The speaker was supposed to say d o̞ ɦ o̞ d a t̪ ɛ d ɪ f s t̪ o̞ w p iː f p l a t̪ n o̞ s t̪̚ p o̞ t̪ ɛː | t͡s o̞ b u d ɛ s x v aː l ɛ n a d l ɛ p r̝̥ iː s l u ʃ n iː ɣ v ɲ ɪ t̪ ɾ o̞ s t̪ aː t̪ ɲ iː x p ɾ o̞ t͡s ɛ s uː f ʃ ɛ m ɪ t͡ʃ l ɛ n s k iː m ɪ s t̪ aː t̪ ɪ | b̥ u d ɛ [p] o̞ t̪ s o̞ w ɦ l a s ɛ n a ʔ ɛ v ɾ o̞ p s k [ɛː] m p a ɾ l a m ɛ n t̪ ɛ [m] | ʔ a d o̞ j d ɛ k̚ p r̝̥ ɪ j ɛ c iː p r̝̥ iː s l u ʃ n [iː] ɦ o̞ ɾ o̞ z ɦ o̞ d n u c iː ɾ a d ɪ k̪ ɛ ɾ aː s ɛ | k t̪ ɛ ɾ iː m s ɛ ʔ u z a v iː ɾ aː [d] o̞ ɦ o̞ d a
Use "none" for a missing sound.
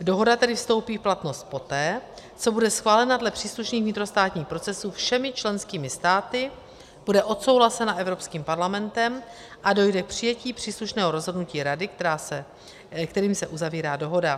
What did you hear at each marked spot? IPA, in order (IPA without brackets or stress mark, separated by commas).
ʔ, iː, m, ɛː, d